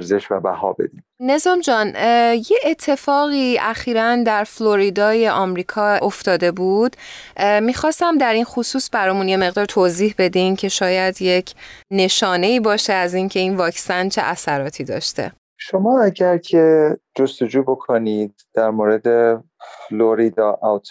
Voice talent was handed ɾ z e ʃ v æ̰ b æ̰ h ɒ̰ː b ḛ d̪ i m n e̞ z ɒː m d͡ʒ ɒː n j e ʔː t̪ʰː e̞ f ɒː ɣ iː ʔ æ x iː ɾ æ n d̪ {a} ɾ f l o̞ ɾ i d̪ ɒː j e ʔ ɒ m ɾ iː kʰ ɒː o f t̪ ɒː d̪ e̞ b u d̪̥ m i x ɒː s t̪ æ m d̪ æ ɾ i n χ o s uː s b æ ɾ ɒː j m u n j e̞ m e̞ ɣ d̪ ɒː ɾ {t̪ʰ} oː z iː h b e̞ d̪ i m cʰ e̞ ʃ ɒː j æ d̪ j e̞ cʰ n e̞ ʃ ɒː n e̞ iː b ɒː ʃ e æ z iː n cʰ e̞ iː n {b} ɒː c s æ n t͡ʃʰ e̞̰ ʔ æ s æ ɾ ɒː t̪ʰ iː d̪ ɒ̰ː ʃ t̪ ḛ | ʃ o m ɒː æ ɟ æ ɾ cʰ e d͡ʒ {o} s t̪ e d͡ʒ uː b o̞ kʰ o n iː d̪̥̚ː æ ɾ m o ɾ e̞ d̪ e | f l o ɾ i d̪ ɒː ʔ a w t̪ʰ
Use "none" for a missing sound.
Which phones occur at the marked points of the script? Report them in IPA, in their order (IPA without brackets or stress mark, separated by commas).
æ, t̪ʰ, v, o